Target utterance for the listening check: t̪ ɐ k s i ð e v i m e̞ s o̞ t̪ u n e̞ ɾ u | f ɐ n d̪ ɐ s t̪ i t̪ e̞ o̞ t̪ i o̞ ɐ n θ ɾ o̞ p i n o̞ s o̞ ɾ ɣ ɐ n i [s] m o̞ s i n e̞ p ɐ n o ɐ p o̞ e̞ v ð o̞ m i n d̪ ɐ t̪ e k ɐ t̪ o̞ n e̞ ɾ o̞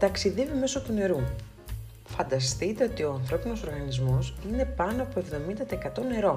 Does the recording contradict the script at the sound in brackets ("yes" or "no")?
yes